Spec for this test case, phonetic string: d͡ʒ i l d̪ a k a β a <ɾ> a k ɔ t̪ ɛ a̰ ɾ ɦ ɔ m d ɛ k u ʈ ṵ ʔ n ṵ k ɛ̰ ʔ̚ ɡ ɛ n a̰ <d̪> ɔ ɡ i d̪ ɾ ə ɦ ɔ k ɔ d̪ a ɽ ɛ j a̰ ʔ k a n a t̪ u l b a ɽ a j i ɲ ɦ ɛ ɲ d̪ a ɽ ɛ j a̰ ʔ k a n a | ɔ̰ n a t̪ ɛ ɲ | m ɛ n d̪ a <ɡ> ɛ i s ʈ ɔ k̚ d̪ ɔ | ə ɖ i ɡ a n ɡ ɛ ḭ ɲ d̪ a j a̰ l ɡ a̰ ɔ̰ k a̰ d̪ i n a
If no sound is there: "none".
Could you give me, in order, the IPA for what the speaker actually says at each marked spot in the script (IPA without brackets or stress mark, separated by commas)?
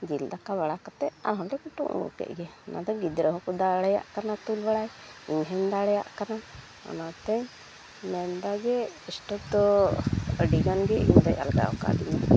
ɽ, d̪, ɡ